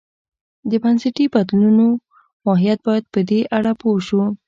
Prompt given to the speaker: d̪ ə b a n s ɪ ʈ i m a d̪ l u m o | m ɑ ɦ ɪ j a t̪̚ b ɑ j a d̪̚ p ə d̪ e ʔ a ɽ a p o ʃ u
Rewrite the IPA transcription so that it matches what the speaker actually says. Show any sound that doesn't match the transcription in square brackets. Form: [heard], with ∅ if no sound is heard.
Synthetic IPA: d̪ ə b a n s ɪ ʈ i [b] a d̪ l u [n] o | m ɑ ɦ [i] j a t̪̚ b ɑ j a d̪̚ p ə d̪ e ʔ a ɽ a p o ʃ u

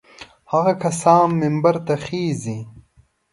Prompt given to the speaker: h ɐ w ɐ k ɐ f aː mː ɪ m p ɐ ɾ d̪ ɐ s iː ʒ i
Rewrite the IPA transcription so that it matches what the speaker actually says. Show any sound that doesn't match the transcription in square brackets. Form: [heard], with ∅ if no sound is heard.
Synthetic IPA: h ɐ [ɣ] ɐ k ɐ [s] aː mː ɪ m [b] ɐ ɾ [t̪] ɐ [x] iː [z] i

